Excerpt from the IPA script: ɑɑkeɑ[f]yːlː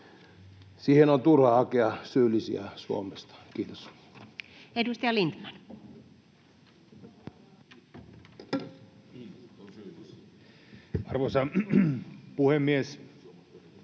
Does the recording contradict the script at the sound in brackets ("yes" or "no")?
yes